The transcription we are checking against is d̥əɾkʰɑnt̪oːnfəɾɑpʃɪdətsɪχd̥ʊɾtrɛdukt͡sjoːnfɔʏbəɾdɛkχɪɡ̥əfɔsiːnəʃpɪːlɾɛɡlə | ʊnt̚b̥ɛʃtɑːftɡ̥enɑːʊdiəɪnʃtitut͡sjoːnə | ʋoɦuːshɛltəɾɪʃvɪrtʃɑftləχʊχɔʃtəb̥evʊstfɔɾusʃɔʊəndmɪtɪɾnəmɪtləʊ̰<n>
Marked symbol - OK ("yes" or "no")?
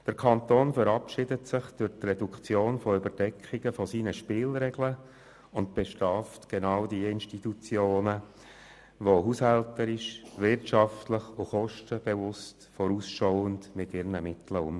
no